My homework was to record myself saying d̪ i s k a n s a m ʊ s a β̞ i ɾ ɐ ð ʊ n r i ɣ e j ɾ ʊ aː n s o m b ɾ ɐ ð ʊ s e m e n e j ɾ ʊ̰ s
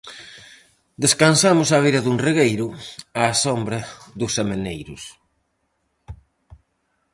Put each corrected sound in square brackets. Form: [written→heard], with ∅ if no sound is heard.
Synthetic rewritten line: d̪ [i→e] s k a n s a m ʊ s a β̞ i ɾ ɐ ð [ʊ→u] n r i ɣ e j ɾ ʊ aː [n→∅] s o m b ɾ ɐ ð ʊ s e m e n e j ɾ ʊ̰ s